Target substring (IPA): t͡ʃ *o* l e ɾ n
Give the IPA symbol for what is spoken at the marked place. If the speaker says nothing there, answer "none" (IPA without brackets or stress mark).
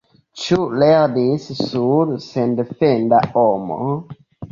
u